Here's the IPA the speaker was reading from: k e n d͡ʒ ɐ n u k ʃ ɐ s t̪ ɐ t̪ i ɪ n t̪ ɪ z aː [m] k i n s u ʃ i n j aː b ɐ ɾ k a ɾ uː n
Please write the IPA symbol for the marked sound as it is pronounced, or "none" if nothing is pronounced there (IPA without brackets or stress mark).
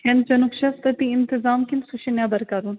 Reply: m